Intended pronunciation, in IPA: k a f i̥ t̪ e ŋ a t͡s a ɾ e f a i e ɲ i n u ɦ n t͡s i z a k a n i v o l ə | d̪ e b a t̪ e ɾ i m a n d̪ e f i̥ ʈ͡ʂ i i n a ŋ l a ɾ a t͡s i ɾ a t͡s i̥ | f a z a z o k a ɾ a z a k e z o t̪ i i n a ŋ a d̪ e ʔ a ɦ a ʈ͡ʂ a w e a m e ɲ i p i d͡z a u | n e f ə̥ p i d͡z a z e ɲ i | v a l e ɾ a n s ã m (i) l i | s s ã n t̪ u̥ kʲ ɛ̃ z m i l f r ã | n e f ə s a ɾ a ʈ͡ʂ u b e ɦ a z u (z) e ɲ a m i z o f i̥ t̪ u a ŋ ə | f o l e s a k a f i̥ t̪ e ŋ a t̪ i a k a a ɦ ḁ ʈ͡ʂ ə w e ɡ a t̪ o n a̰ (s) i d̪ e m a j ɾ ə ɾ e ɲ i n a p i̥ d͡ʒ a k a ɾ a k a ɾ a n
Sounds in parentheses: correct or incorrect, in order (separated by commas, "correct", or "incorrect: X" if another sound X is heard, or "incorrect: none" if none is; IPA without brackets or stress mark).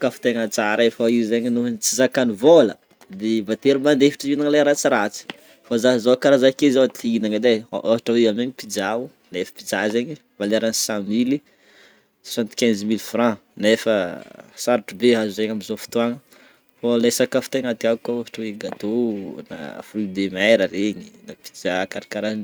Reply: correct, correct, incorrect: f